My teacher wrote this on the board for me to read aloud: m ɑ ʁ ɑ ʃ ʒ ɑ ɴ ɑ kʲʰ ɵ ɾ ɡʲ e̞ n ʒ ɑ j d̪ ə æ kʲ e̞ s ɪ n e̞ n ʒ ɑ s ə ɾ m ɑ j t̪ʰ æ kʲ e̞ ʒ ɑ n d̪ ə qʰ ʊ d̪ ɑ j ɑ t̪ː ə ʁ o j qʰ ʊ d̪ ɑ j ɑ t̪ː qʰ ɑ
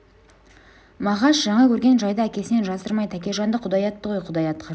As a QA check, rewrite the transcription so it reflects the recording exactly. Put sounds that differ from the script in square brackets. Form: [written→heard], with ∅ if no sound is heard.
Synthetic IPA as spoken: m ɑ ʁ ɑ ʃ ʒ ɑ ɴ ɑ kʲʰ ɵ ɾ ɡʲ e̞ n ʒ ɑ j d̪ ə æ kʲ e̞ s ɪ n e̞ n ʒ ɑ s ə ɾ m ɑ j t̪ʰ æ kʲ e̞ ʒ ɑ n d̪ ə qʰ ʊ d̪ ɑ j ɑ t̪ː ə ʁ o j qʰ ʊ d̪ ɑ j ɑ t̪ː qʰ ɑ

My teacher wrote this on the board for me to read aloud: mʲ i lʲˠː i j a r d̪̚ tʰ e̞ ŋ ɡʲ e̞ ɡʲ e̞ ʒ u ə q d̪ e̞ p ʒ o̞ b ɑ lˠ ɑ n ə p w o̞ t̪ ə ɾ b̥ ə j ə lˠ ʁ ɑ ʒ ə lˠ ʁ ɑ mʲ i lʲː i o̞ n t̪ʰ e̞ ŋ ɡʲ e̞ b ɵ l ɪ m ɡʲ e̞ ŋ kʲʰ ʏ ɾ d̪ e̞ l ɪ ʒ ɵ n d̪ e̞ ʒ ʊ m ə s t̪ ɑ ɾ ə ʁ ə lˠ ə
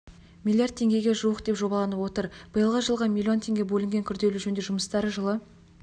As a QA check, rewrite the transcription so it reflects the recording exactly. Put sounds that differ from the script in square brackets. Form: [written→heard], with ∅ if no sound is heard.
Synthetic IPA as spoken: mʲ i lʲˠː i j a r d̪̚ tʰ e̞ ŋ ɡʲ e̞ ɡʲ e̞ ʒ u ə q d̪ e̞ p ʒ o̞ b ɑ lˠ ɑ n ə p w o̞ t̪ ə ɾ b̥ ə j ə lˠ ʁ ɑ ʒ ə lˠ ʁ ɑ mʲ i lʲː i o̞ n t̪ʰ e̞ ŋ ɡʲ e̞ b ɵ l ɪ [m→ŋ] ɡʲ e̞ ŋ kʲʰ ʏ ɾ d̪ e̞ l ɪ ʒ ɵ n d̪ e̞ ʒ ʊ m ə s t̪ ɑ ɾ ə [ʁ→ʒ] ə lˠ ə

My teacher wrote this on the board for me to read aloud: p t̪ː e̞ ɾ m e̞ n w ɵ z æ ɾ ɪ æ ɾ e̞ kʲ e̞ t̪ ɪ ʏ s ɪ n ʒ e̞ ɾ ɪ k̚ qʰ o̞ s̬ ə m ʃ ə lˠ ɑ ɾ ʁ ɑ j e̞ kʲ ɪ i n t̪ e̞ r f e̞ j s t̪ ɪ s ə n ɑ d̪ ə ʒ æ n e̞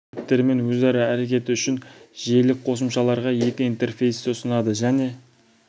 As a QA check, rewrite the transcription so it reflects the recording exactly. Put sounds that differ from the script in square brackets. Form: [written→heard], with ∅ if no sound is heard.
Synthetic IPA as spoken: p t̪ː e̞ ɾ m e̞ n w ɵ z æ ɾ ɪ æ ɾ e̞ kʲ e̞ t̪ ɪ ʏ [s→ʃ] ɪ n ʒ e̞ [ɾ→l] ɪ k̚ qʰ o̞ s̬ ə m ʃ [ə→ɑ] lˠ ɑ ɾ ʁ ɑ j e̞ kʲ ɪ i n t̪ e̞ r f e̞ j s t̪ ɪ s ə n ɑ d̪ ə ʒ æ n e̞

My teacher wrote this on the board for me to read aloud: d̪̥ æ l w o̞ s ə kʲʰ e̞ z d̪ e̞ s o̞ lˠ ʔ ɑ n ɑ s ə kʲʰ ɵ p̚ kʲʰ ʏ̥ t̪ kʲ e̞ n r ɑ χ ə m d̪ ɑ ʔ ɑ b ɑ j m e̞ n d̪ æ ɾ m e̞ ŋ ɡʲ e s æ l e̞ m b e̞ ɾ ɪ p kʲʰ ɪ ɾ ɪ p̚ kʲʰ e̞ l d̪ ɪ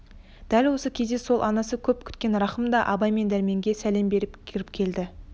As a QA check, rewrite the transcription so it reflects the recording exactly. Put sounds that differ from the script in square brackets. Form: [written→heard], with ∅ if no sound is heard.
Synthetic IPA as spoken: d̪̥ æ l w o̞ s ə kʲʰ e̞ z d̪ e̞ s o̞ lˠ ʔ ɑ n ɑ s ə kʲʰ ɵ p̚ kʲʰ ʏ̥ t̪ kʲ e̞ n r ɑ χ ə m d̪ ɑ ʔ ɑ b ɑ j m e̞ n d̪ æ ɾ m e̞ ŋ ɡʲ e s æ l e̞ m b e̞ ɾ ɪ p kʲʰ ɪ ɾ ɪ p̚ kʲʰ e̞ l d̪ ɪ

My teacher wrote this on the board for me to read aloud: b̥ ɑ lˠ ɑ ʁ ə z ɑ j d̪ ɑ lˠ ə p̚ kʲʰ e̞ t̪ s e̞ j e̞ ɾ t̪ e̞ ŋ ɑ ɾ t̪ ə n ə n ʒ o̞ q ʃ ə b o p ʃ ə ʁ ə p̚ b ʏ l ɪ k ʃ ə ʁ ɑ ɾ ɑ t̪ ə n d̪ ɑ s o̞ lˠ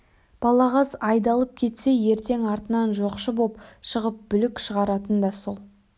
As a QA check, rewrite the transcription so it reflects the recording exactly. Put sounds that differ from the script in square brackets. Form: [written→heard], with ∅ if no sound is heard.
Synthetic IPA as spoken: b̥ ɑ lˠ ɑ ʁ [ə→ɑ] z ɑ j d̪ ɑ lˠ ə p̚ kʲʰ e̞ t̪ s e̞ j e̞ ɾ t̪ e̞ ŋ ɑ ɾ t̪ ə n [ə→ɑ] n ʒ o̞ q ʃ ə b o p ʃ ə ʁ ə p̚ b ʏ l ɪ k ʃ ə ʁ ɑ ɾ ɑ t̪ ə n d̪ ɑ s o̞ lˠ

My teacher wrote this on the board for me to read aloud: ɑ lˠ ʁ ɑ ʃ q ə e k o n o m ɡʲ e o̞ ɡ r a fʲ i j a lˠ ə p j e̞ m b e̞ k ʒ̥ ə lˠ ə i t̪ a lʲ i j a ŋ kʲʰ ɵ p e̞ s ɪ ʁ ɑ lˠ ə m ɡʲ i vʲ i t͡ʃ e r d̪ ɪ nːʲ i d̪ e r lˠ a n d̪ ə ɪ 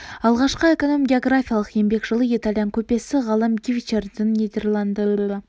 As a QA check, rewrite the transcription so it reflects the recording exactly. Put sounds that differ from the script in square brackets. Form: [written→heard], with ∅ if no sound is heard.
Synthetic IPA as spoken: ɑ lˠ ʁ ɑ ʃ q ə e k o n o m ɡʲ e o̞ ɡ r a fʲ i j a lˠ ə [p→q] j e̞ m b e̞ k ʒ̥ ə lˠ ə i t̪ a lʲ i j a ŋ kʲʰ ɵ p e̞ s ɪ ʁ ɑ lˠ ə m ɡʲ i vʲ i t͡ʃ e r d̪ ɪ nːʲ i d̪ e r lˠ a n d̪ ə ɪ

